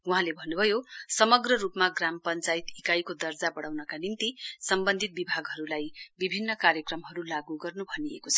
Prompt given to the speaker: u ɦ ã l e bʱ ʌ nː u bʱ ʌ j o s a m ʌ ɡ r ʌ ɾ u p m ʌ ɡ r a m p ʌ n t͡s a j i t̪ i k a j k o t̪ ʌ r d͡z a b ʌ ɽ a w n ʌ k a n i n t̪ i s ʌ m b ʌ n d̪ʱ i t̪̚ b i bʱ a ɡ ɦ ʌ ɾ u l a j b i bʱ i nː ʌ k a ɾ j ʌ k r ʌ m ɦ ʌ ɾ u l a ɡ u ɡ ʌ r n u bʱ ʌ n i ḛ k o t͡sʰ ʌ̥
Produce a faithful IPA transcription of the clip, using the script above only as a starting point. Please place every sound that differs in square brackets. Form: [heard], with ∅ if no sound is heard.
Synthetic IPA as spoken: u ɦ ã l e bʱ ʌ nː u bʱ ʌ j o s [ʌ] m ʌ ɡ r ʌ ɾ u p m [a] ɡ r a m p ʌ n t͡s a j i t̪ i k a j k o [d̪] ʌ r d͡z a b ʌ ɽ a w n ʌ k a n i n t̪ i s ʌ m b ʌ n d̪ʱ i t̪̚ b i bʱ a ɡ ɦ ʌ ɾ u l a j b i bʱ i nː ʌ k a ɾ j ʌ k r ʌ m ɦ ʌ ɾ u l a ɡ u ɡ ʌ r n u bʱ ʌ n i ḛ k o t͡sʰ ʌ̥